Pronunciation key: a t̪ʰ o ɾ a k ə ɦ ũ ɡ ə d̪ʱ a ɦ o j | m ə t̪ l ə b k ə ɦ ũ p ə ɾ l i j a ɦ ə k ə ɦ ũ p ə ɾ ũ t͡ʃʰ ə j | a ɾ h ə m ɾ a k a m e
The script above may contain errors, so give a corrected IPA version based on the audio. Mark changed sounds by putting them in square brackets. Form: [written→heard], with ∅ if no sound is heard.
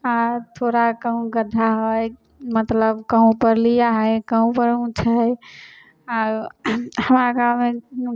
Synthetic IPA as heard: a t̪ʰ o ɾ a k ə ɦ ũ ɡ ə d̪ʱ a ɦ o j | m ə t̪ l ə b k ə ɦ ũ p ə ɾ l i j a ɦ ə k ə ɦ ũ p ə ɾ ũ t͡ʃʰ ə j | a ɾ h ə m ɾ a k a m e